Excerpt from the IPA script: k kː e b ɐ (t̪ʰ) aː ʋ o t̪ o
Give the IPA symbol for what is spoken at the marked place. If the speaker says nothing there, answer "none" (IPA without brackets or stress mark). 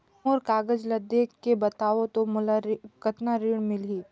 t̪